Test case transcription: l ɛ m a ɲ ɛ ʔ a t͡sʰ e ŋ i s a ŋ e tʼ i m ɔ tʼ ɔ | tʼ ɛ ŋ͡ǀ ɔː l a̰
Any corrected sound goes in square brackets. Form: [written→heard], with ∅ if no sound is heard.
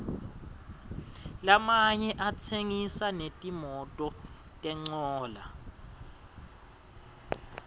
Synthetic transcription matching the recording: l [ɛ→a] m a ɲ ɛ ʔ a t͡sʰ e ŋ i s a [ŋ→n] e tʼ i m ɔ tʼ ɔ | tʼ ɛ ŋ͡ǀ ɔː l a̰